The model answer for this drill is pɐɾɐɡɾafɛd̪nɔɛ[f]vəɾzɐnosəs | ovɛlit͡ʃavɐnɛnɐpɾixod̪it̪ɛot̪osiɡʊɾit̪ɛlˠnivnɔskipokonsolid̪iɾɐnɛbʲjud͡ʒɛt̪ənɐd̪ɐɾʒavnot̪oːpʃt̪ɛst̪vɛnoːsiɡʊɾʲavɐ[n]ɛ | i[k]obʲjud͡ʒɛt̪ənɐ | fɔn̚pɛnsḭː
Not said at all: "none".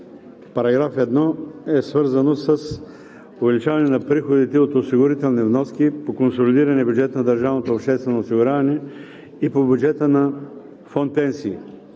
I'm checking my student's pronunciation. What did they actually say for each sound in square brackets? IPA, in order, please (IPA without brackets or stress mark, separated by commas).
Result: s, n, p